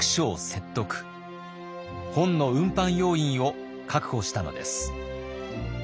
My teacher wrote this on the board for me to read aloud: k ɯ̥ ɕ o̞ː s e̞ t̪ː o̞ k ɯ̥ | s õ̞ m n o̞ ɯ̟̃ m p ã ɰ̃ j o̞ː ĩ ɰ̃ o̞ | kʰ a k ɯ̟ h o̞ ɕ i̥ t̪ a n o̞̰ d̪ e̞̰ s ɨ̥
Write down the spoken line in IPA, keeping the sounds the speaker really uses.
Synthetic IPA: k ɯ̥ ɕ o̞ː s e̞ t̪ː o̞ k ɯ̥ | h õ̞ n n o̞ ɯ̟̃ m p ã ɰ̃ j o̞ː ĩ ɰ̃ o̞ | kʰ a k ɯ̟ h o̞ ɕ i̥ t̪ a n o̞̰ d̪ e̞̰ s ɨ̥